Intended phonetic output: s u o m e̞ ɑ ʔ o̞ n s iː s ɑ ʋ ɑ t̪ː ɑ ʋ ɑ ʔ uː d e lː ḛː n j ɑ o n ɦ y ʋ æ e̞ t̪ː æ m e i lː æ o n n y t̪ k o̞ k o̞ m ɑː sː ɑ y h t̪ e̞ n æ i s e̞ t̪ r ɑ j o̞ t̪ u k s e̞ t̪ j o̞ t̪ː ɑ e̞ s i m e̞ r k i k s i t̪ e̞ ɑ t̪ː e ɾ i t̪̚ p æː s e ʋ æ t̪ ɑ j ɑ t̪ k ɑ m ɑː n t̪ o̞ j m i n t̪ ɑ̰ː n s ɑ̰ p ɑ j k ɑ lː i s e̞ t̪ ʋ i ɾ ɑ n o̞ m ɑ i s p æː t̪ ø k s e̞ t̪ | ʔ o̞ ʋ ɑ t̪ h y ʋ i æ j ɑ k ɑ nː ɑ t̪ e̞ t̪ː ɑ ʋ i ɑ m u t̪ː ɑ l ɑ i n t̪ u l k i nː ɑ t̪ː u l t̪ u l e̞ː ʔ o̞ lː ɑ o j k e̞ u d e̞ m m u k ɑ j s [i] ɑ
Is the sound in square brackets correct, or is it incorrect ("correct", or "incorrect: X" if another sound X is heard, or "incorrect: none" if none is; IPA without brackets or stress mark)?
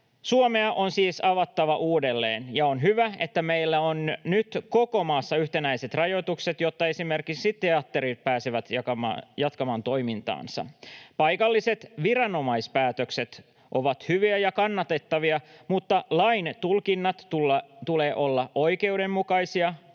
correct